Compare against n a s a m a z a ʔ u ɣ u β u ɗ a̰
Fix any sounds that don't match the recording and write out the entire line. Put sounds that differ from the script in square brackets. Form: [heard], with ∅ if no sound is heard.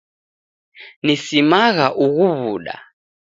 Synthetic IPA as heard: n [i] s [i] m a [ɣ] a ʔ u ɣ u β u ɗ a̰